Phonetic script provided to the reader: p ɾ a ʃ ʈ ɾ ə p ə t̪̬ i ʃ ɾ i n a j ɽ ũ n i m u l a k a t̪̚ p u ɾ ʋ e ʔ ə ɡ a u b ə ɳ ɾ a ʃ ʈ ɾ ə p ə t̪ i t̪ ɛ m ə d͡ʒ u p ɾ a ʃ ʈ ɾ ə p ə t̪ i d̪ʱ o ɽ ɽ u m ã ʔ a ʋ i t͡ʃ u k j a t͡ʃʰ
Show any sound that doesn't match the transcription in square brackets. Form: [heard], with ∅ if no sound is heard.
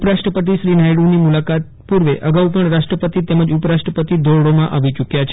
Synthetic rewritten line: p ɾ a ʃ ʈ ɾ ə p ə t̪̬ i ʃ ɾ i n a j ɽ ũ n i m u l a k a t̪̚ p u ɾ ʋ e ʔ ə ɡ a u [p] ə ɳ ɾ a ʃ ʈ ɾ ə p ə t̪ i t̪ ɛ m ə d͡ʒ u p ɾ a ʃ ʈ ɾ ə p ə t̪ i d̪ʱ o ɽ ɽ [o] m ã ʔ a ʋ i t͡ʃ u k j a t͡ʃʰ